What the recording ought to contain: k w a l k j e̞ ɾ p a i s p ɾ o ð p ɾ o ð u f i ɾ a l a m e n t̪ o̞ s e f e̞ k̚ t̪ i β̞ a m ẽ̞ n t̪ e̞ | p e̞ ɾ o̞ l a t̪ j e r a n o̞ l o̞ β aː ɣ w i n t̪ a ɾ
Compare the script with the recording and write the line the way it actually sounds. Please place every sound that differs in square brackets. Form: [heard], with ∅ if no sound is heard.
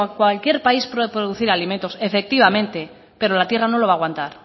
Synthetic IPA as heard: k w a l k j e̞ ɾ p a i s p ɾ o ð p ɾ o ð u [θ] i ɾ a l [i] m e n t̪ o̞ s e f e̞ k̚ t̪ i β̞ a m ẽ̞ n t̪ e̞ | p e̞ ɾ o̞ l a t̪ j e r a n o̞ l o̞ β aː ɣ w [a] n t̪ a ɾ